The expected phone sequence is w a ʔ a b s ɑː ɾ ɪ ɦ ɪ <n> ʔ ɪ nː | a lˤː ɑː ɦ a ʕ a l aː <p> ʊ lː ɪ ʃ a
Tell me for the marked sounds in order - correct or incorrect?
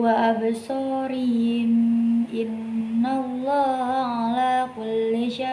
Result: incorrect: m, incorrect: k

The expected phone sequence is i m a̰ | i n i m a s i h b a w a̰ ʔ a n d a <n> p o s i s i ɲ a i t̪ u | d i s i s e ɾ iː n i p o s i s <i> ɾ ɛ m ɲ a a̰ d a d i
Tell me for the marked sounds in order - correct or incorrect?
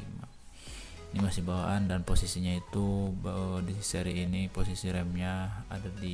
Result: correct, correct

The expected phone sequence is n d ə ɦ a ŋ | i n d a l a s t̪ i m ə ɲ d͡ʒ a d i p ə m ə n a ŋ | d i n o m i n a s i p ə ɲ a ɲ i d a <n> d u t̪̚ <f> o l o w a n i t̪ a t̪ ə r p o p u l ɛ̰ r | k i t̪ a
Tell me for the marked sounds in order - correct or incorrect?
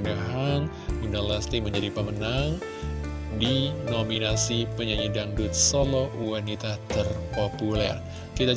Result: incorrect: ŋ, incorrect: s

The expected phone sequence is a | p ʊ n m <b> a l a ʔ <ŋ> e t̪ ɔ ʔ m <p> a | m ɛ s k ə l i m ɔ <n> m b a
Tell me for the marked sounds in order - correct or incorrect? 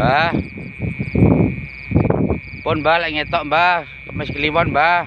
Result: correct, correct, incorrect: b, correct

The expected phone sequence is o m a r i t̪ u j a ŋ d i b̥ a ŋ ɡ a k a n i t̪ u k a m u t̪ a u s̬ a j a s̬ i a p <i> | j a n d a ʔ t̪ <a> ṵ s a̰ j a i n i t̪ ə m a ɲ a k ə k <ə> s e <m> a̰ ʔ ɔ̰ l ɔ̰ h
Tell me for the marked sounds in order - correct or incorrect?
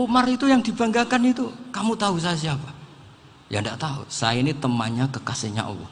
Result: incorrect: a, correct, incorrect: a, incorrect: ɲ

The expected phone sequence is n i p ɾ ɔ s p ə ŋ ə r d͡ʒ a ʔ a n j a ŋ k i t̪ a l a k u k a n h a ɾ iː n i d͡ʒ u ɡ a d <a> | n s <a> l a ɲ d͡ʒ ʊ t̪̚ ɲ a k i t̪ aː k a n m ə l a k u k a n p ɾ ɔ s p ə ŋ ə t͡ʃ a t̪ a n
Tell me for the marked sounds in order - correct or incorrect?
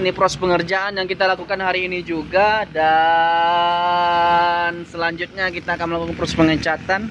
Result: correct, incorrect: ə

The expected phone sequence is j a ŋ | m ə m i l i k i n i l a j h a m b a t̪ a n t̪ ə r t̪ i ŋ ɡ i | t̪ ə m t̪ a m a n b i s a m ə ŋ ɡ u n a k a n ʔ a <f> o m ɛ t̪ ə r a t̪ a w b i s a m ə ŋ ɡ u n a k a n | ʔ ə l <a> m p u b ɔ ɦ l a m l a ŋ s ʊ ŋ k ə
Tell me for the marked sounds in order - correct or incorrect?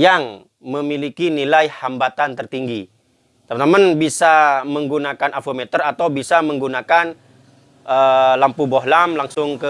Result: correct, correct

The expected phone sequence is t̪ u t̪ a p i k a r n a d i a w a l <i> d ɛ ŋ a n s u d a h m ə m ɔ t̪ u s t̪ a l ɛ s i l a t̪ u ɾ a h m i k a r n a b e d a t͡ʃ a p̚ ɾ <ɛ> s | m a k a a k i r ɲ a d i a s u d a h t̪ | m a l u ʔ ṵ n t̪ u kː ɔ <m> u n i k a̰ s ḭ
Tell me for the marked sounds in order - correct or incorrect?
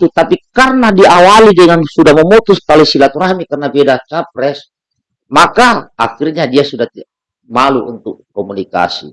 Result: correct, correct, correct

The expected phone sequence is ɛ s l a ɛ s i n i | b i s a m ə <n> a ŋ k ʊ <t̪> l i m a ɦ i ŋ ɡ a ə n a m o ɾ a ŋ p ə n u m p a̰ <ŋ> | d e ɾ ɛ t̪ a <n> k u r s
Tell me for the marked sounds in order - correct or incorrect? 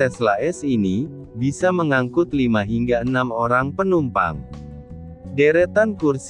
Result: incorrect: ŋ, correct, correct, correct

